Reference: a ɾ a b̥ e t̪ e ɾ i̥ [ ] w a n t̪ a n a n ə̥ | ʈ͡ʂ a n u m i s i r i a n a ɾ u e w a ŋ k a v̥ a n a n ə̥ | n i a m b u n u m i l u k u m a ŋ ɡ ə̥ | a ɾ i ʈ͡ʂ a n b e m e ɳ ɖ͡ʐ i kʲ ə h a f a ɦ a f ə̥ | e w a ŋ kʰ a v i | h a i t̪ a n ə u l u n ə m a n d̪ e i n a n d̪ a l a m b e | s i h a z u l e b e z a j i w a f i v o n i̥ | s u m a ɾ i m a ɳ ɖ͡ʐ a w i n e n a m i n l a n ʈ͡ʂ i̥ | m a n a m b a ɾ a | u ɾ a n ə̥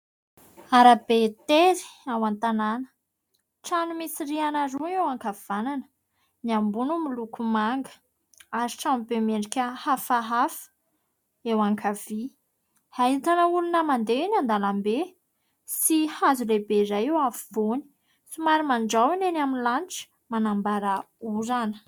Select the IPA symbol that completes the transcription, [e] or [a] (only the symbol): a